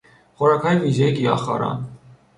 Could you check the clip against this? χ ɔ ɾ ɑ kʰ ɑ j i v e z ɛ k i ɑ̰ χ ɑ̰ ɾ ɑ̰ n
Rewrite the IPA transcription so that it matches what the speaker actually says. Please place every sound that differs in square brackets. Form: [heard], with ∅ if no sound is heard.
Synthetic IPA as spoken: χ ɔ ɾ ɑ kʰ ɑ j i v [i] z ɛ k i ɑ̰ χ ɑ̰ ɾ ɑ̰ n